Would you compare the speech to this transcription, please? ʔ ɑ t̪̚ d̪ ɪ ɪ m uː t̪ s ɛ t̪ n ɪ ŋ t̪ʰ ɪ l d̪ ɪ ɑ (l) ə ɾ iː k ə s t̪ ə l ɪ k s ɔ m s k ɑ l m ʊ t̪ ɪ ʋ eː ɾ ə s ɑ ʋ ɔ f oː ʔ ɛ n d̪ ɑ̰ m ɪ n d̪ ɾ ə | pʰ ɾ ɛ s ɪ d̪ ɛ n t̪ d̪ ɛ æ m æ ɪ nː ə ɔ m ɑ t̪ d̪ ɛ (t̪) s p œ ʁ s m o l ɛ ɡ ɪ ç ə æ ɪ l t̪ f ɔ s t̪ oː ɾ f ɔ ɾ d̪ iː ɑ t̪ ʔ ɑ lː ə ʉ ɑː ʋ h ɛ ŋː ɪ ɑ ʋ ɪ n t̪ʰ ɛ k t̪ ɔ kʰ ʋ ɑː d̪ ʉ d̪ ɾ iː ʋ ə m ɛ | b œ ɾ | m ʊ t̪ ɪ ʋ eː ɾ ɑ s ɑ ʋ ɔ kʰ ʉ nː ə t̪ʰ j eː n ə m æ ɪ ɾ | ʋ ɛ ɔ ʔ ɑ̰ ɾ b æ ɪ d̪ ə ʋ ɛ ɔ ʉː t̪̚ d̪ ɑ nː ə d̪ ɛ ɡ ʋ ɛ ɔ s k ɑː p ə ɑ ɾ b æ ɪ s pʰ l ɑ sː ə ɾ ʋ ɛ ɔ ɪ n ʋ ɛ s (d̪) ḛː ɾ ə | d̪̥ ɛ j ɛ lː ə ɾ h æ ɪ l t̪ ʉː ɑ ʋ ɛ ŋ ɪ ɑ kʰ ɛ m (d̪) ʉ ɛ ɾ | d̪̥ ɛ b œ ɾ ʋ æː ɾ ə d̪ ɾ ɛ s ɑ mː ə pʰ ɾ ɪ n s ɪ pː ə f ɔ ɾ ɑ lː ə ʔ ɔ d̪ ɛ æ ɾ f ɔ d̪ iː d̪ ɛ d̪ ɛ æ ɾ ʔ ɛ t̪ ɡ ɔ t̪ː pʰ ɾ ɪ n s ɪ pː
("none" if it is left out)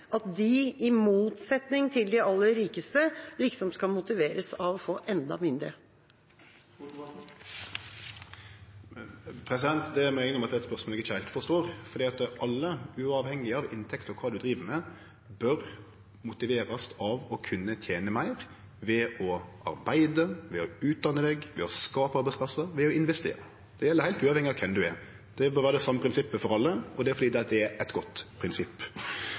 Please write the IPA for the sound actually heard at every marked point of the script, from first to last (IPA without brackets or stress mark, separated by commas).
lː, t̪, t̪, d̪